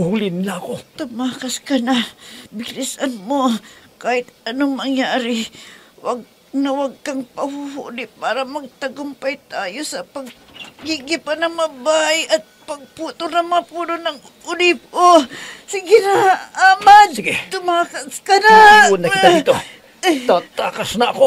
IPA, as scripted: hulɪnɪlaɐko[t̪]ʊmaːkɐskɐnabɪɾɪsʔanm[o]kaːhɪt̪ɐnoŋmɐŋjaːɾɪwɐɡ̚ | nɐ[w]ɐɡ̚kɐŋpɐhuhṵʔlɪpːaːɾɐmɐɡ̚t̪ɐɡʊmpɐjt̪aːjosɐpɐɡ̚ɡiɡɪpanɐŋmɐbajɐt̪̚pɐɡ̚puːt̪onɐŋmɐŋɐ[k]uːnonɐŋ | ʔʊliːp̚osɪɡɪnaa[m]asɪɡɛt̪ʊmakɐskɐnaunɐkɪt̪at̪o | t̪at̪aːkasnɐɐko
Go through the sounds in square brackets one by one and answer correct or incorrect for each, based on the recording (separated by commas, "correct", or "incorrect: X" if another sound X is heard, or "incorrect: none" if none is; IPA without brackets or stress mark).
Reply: correct, correct, correct, incorrect: p, correct